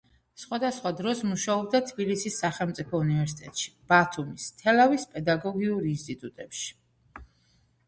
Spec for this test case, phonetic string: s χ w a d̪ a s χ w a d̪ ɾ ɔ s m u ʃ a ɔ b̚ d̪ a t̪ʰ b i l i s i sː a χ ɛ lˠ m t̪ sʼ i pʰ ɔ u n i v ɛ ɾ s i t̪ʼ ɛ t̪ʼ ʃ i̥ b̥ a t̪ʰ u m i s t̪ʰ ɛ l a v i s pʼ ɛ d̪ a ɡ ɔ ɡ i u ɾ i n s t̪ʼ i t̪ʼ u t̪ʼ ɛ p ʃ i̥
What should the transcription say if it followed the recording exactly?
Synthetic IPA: s χ w a d̪ a s χ w a d̪ ɾ ɔ s m u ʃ a ɔ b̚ d̪ a t̪ʰ b i l i s i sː a χ ɛ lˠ m t̪ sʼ i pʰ ɔ u n i v ɛ ɾ s i t̪ʼ ɛ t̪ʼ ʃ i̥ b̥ a t̪ʰ u m i s t̪ʰ ɛ l a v i s pʼ ɛ d̪ a ɡ ɔ ɡ i u ɾ i n s t̪ʼ i t̪ʼ u t̪ʼ ɛ p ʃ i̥